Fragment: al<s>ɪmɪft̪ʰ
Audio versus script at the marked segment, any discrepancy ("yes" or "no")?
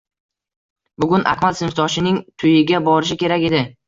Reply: no